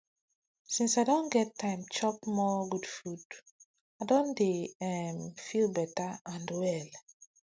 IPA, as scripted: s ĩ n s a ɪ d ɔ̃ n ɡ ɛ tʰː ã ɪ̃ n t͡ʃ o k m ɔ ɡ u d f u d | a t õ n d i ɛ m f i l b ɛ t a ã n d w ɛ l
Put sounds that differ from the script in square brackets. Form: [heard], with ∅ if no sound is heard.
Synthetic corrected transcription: s ĩ n s a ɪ d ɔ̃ n ɡ ɛ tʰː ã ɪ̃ [m] t͡ʃ [ɔ] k m ɔ ɡ u d f u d | a [d] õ n d [e] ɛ m f i l b ɛ t a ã n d w ɛ l